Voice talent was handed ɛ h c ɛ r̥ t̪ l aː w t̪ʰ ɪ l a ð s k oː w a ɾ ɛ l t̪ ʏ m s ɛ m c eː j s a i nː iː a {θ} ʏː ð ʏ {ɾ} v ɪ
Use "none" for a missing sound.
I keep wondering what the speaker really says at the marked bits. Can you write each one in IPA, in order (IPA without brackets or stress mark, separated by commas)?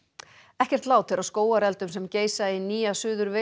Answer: s, ɾ